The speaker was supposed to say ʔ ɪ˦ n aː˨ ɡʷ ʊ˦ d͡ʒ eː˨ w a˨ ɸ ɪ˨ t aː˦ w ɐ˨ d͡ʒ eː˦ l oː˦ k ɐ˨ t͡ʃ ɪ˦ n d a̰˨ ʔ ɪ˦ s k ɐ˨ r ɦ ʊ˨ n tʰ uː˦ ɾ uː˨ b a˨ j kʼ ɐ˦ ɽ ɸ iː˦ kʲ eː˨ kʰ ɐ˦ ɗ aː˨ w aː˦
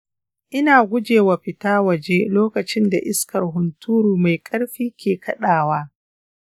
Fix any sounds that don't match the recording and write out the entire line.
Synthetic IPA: ʔ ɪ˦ n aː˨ ɡʷ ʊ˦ d͡ʒ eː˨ w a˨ ɸ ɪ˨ t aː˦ w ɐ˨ d͡ʒ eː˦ l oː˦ k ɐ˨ t͡ʃ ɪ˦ n d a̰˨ ʔ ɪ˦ s k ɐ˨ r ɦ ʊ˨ n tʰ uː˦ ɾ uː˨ m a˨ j kʼ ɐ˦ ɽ ɸ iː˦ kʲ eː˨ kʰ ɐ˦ ɗ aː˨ w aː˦

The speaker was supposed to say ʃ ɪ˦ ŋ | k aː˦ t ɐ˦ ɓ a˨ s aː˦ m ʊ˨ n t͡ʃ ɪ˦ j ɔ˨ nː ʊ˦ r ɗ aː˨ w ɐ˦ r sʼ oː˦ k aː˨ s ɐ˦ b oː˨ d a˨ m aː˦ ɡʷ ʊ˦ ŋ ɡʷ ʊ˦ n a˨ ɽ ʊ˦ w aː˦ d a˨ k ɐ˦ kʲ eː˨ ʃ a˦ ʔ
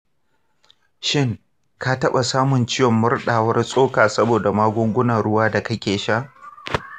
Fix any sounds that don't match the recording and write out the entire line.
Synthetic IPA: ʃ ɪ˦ ŋ | k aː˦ t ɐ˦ ɓ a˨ s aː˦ m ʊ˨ n t͡ʃ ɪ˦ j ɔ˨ mː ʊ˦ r ɗ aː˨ w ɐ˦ r sʼ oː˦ k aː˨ s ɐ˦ b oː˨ d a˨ m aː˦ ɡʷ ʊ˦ ŋ ɡʷ ʊ˦ n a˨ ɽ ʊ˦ w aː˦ d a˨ k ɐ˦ kʲ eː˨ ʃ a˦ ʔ

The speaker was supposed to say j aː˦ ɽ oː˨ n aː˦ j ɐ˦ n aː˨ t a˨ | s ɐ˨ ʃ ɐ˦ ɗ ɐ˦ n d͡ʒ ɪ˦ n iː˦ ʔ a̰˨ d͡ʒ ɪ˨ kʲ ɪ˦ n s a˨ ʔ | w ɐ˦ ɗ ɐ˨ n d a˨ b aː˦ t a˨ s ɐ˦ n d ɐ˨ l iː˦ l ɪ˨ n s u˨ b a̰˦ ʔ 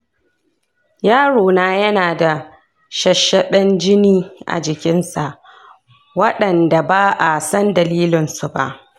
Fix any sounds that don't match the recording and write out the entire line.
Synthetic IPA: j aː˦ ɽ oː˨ n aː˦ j ɐ˦ n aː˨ d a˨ | ʃ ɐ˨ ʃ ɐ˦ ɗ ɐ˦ n d͡ʒ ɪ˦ n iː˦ ʔ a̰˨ d͡ʒ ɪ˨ kʲ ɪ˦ n s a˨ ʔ | w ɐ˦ ɗ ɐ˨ n d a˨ b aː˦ ʔ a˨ s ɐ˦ n d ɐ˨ l iː˦ l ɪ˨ n s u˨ b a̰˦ ʔ

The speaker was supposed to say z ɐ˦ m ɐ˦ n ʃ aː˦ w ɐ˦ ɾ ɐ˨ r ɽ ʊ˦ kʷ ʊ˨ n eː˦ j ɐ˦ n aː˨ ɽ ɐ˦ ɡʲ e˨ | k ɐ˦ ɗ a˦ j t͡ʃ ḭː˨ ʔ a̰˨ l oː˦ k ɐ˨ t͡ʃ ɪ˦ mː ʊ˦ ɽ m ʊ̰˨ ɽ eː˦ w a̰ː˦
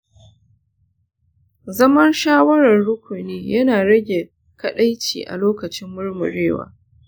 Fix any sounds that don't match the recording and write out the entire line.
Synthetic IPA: z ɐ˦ m ɐ˦ n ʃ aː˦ w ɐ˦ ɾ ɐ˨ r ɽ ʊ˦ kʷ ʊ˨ n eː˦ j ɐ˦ n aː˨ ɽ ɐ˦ ɡʲ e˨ | k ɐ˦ ɗ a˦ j t͡ʃ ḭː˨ ʔ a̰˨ l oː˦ k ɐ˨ t͡ʃ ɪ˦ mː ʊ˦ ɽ m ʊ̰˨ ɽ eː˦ w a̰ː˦

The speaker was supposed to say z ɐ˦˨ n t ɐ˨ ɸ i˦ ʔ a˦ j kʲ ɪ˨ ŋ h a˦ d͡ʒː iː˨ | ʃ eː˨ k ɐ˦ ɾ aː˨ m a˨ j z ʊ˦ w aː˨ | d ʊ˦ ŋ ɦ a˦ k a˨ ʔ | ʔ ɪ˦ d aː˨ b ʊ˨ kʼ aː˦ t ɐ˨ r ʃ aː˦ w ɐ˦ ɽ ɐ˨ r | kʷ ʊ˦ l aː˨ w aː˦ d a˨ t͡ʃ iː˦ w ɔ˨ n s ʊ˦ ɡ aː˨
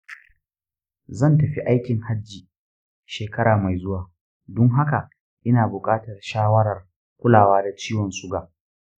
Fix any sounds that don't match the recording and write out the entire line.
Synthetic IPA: z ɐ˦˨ n t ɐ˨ ɸ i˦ ʔ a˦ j kʲ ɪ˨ ŋ h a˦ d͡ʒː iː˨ | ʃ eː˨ k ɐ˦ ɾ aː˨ m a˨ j z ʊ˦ w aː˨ | d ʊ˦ ŋ ɦ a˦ k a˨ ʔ | ʔ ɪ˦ n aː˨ b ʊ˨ kʼ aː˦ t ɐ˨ r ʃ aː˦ w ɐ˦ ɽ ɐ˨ r | kʷ ʊ˦ l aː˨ w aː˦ d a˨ t͡ʃ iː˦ w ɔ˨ n s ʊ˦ ɡ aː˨

